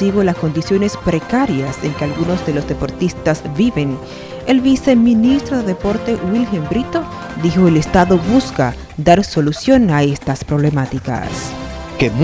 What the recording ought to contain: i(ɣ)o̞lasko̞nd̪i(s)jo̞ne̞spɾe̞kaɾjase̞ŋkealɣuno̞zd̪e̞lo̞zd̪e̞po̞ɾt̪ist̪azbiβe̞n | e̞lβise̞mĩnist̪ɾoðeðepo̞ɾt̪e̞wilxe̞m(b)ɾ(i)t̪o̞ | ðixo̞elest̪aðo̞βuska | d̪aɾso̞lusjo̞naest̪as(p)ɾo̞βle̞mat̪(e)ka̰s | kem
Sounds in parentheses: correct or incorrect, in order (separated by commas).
correct, correct, correct, correct, correct, incorrect